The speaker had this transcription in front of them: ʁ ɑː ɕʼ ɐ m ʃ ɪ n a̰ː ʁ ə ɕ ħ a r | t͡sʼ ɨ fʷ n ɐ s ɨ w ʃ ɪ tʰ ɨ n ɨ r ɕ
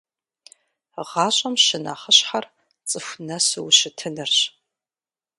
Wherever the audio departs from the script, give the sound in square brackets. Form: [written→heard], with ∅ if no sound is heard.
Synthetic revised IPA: ʁ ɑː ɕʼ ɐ m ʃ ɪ n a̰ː [ʁ→χ] ə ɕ ħ a r | t͡sʼ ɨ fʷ n ɐ s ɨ w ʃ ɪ tʰ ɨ n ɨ r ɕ